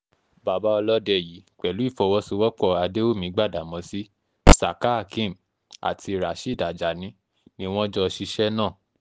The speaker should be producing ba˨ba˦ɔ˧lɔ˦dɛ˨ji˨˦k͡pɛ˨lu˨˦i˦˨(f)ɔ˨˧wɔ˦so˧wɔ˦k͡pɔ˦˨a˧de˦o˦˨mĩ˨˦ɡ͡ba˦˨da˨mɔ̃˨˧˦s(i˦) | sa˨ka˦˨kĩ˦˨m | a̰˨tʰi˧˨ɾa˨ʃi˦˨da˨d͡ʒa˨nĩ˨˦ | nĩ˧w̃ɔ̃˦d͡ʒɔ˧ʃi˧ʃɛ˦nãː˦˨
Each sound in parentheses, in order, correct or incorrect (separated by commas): correct, correct